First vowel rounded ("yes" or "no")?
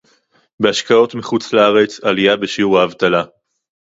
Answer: no